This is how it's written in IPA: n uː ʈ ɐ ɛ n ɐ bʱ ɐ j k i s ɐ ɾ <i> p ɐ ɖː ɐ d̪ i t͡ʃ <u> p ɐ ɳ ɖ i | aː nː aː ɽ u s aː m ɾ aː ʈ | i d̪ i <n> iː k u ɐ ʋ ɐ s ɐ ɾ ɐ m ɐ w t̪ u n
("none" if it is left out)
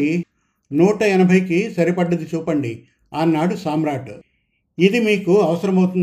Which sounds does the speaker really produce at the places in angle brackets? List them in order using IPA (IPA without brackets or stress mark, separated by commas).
i, uː, m